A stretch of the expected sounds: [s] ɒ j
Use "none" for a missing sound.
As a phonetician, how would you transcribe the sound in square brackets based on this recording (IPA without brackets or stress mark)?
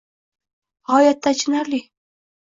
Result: h